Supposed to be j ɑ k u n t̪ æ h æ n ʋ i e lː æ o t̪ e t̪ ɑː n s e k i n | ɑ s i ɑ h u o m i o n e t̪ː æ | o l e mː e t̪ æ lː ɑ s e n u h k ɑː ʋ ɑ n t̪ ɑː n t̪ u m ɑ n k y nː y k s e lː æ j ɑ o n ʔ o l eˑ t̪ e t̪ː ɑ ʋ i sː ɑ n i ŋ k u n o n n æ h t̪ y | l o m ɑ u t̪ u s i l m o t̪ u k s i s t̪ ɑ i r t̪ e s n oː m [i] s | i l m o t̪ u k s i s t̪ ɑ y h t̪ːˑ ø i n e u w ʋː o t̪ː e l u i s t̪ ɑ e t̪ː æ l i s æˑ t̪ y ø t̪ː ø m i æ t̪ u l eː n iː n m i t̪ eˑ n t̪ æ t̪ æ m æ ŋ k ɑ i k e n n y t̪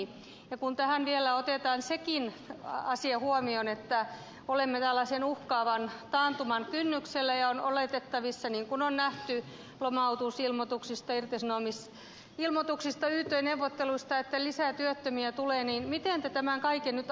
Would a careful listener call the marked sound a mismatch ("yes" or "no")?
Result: no